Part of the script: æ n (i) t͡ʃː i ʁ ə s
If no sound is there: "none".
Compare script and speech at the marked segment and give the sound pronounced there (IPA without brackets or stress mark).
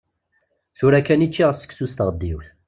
i